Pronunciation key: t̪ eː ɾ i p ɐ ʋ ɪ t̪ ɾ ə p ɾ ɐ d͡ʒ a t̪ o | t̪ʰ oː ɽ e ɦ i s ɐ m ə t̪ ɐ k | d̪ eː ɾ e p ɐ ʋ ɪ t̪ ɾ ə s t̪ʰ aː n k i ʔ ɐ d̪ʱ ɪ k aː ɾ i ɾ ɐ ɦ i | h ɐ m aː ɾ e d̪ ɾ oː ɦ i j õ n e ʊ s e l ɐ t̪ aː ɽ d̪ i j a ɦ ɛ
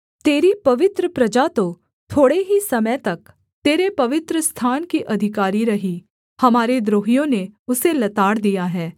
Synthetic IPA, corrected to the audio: t̪ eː ɾ i p ɐ ʋ ɪ t̪ ɾ ə p ɾ ɐ d͡ʒ a t̪ o | t̪ʰ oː ɽ e ɦ i s ɐ m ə t̪ ɐ k | t̪ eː ɾ e p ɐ ʋ ɪ t̪ ɾ ə s t̪ʰ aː n k i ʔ ɐ d̪ʱ ɪ k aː ɾ i ɾ ɐ ɦ i | h ɐ m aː ɾ e d̪ ɾ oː ɦ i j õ n e ʊ s e l ɐ t̪ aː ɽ d̪ i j a ɦ ɛː